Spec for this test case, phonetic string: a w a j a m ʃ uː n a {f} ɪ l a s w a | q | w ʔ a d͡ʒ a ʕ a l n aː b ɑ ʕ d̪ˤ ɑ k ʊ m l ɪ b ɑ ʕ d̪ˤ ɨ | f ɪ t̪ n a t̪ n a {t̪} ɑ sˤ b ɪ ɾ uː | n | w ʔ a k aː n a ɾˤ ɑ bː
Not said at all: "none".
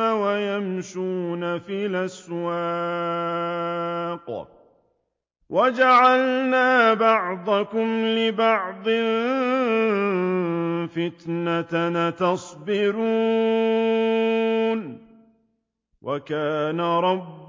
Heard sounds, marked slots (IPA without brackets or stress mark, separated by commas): f, t̪